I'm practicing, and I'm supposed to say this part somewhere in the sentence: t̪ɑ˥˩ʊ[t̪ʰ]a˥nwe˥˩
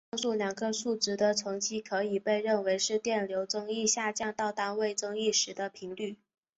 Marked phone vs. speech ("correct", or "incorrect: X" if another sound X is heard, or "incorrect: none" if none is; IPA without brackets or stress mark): incorrect: t̪